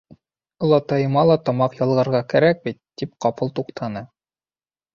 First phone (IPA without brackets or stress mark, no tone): lˠ